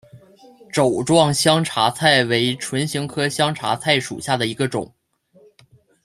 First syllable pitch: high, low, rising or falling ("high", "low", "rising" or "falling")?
low